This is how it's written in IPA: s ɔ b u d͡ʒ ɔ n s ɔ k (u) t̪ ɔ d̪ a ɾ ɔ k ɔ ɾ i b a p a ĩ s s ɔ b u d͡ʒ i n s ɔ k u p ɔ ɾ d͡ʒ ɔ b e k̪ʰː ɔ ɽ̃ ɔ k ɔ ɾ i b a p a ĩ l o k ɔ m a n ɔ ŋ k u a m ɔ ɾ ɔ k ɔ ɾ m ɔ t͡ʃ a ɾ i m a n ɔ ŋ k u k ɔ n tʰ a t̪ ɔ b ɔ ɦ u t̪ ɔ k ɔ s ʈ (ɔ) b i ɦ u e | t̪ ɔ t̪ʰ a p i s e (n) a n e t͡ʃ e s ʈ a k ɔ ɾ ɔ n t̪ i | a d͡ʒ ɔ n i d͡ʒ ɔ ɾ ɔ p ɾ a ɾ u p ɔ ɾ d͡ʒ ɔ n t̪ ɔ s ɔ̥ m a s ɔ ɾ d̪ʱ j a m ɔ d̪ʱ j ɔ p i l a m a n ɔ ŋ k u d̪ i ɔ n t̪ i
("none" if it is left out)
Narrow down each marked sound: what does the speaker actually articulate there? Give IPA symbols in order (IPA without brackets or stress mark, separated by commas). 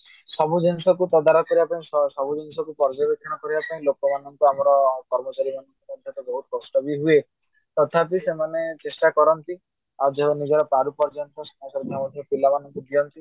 u, ɔ, m